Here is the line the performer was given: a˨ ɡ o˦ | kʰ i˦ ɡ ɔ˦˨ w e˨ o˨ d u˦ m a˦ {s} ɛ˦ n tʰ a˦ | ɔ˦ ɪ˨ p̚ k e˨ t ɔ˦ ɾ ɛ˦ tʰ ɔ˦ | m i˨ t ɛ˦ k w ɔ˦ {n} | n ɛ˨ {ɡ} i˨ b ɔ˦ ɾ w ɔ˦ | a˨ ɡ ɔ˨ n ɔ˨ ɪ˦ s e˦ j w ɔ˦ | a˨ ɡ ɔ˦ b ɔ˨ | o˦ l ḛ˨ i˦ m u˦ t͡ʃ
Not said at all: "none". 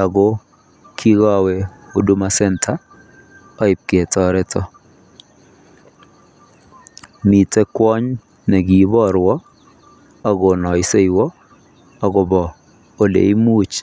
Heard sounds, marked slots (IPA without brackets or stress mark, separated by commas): s, ɲ, ɡ